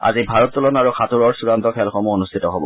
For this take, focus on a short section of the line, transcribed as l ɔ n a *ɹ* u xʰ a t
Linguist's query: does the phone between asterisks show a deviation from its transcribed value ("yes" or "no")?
no